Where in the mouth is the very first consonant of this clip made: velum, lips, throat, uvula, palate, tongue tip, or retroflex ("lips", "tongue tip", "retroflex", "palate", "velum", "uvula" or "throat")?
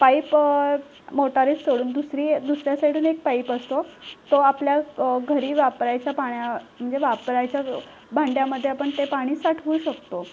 lips